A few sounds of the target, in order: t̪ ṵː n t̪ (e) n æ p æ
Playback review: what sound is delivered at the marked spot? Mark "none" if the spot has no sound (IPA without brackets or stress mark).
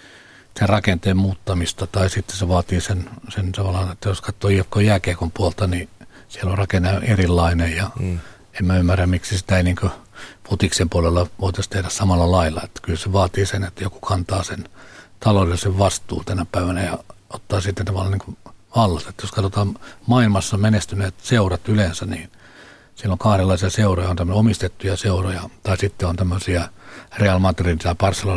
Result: æ